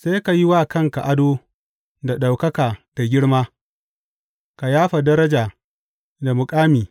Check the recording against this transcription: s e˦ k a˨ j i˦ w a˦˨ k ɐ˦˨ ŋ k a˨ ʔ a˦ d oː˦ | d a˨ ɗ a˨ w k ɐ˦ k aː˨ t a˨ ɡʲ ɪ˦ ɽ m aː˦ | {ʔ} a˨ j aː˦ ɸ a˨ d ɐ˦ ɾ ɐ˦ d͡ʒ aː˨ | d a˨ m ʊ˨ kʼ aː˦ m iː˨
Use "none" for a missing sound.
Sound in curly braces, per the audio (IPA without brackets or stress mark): k